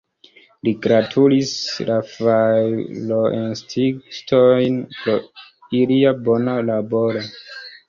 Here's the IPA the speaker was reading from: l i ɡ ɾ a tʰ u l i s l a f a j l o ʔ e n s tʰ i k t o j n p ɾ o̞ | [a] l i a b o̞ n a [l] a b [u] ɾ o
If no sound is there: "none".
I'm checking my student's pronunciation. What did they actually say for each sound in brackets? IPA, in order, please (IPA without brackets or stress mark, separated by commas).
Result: i, l, o